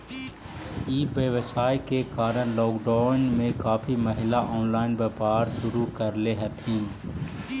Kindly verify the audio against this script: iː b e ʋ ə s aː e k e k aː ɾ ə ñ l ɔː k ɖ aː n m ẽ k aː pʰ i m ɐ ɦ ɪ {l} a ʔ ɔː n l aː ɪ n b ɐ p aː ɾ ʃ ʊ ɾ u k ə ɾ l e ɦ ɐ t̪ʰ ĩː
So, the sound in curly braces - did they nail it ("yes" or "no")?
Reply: yes